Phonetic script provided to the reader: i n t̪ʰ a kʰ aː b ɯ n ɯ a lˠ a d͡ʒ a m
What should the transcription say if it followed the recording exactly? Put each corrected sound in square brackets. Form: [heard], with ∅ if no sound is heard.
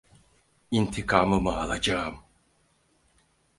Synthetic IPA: i n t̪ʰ [i] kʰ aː [m] ɯ [m] ɯ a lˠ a d͡ʒ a m